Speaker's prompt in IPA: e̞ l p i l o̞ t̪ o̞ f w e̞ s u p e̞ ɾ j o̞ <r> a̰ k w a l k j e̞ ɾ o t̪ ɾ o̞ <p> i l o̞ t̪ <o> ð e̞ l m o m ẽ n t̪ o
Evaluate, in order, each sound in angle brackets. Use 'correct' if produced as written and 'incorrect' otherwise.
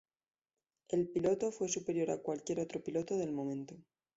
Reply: incorrect: ɾ, correct, correct

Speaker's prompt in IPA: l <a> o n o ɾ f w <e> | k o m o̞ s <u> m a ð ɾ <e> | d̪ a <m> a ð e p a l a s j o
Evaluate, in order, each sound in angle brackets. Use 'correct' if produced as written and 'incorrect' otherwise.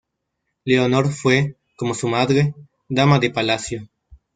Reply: incorrect: e, correct, correct, correct, correct

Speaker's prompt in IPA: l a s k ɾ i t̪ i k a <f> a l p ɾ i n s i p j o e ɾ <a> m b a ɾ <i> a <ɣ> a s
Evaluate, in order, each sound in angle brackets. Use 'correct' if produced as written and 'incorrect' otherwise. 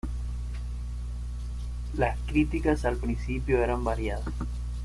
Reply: incorrect: s, correct, incorrect: j, incorrect: ð

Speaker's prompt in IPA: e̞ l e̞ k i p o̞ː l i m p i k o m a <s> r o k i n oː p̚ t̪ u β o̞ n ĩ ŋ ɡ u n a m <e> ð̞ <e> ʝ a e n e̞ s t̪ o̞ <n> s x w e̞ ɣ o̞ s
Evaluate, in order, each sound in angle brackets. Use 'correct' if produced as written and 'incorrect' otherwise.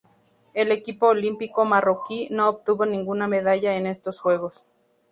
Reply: incorrect: none, correct, incorrect: a, incorrect: none

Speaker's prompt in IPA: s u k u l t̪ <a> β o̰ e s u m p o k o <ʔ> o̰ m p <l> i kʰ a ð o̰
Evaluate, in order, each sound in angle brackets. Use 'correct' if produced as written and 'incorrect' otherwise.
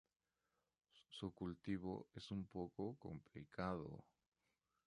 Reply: incorrect: i, incorrect: k, correct

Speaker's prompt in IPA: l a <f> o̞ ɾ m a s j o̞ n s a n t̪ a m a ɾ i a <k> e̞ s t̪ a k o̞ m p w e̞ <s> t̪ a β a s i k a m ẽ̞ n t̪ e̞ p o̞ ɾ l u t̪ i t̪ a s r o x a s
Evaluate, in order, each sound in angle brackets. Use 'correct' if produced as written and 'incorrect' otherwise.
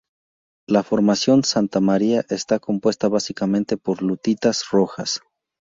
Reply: correct, incorrect: ʔ, correct

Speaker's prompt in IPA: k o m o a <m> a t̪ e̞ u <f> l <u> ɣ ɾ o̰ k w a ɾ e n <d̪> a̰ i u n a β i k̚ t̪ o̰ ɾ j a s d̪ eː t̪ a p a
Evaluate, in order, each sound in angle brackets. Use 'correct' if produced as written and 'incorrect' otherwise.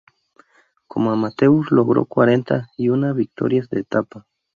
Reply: correct, incorrect: s, incorrect: o, incorrect: t̪

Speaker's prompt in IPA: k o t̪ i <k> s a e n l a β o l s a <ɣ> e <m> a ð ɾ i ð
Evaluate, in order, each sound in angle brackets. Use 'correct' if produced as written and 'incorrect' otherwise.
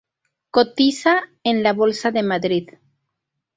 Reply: incorrect: none, incorrect: ð, correct

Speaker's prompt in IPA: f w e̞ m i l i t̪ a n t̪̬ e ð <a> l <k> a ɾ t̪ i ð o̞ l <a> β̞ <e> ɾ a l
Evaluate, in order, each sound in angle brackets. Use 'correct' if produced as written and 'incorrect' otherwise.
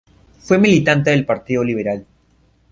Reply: incorrect: e, incorrect: p, incorrect: i, correct

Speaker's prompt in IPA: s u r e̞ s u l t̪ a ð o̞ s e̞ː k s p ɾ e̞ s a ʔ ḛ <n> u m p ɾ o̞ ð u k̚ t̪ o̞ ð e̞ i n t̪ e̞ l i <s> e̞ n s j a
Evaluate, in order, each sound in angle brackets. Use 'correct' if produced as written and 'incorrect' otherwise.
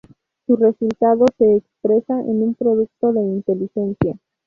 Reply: correct, incorrect: x

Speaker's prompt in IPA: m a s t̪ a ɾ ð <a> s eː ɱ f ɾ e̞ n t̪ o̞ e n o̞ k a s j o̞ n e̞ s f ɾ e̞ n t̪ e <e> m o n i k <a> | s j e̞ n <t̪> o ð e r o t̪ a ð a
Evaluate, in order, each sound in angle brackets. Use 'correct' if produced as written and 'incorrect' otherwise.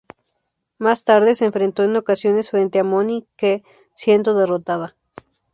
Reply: incorrect: e, incorrect: a, incorrect: e, incorrect: d̪

